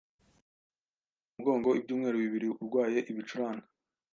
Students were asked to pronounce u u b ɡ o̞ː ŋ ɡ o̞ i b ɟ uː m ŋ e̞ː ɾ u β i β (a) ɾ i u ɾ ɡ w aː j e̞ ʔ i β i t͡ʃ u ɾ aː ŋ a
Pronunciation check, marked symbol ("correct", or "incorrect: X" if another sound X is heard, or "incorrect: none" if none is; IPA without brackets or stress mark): incorrect: i